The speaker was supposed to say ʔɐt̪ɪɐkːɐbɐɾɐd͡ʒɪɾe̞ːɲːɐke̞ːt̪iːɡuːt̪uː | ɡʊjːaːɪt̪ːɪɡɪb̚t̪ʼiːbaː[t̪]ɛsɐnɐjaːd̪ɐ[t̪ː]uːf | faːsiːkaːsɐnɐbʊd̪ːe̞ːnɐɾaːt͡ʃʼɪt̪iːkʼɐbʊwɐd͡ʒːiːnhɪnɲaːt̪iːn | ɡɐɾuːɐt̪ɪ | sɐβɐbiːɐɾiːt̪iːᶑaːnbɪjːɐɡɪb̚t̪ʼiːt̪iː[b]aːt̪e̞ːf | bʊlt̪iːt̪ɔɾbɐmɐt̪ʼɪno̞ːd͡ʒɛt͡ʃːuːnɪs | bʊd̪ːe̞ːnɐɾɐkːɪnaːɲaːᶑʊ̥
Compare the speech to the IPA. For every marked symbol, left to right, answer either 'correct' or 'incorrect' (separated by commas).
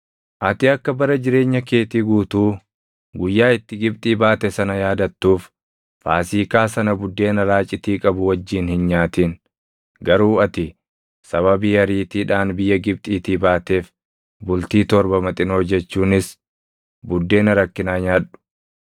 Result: correct, correct, correct